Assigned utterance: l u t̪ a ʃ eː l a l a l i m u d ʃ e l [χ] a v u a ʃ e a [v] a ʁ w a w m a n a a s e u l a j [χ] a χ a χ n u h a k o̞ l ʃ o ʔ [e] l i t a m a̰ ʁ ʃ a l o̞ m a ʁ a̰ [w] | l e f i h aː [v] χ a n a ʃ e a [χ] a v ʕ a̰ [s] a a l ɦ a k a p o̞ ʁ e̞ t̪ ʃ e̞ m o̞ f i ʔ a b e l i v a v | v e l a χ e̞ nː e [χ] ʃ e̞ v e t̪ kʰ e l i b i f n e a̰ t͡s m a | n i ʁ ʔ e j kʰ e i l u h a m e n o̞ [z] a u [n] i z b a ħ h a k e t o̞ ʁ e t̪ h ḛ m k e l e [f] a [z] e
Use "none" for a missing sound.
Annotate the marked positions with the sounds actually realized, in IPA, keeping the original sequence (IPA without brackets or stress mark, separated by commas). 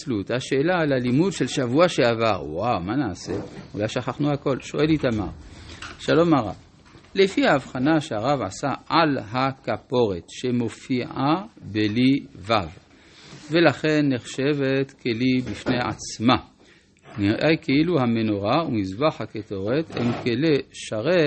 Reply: ʃ, v, ʃ, e, v, v, ʁ, s, χ, ʁ, m, ʃ, ʁ